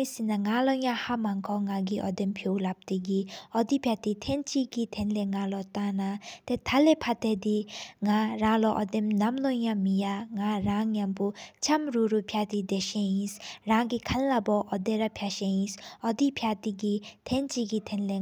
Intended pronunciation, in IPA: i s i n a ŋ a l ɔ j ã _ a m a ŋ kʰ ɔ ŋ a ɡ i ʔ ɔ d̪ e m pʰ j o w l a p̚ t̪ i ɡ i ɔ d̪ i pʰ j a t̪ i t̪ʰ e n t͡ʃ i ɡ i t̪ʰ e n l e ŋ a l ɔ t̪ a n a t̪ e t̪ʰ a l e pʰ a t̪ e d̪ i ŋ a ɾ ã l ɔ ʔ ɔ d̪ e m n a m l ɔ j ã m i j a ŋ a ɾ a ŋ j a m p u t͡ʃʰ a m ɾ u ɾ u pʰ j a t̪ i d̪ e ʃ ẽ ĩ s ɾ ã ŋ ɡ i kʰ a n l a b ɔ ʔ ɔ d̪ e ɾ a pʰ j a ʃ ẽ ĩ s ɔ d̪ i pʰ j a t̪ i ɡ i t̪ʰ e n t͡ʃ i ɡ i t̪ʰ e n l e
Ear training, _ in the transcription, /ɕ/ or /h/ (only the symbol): h